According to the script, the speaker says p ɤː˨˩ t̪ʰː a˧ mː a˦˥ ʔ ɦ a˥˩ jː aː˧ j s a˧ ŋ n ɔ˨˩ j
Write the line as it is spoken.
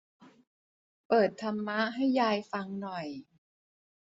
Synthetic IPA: p ɤː˨˩ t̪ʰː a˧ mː a˦˥ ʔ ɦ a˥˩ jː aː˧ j f a˧ ŋ n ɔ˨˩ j